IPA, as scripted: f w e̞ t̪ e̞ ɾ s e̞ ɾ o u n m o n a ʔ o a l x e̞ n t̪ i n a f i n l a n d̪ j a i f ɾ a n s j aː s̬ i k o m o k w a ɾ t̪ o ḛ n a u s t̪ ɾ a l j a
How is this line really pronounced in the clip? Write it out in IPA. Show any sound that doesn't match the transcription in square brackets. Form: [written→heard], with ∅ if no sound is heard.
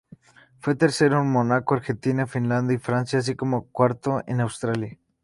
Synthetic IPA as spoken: f w e̞ t̪ e̞ ɾ s e̞ ɾ o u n m o n a [ʔ→k] o a [l→ɾ] x e̞ n t̪ i n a f i n l a n d̪ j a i f ɾ a n s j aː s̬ i k o m o k w a ɾ t̪ o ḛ n a [u→w] s t̪ ɾ a l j a